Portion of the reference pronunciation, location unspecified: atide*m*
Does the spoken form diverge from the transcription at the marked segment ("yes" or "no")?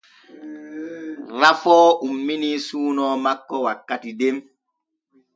no